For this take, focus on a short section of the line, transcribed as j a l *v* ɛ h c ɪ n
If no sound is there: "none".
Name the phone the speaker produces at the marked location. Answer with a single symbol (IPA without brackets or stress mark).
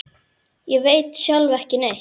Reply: v